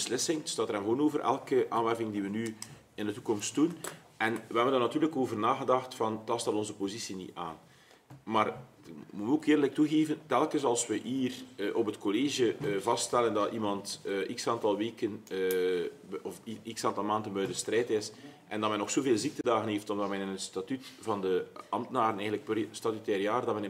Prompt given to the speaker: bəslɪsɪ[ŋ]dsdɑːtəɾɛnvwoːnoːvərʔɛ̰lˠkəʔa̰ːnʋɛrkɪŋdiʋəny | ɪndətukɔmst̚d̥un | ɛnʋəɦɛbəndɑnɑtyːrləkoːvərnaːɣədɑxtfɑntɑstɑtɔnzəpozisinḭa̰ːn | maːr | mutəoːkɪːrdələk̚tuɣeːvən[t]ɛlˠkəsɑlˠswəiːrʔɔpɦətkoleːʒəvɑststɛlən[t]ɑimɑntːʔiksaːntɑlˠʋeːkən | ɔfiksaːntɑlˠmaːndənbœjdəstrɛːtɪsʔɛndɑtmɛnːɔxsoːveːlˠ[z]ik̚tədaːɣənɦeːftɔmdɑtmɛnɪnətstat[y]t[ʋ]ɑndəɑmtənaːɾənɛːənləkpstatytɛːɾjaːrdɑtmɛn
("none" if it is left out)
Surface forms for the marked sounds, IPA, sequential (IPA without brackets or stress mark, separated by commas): ŋ, t, d, z, y, v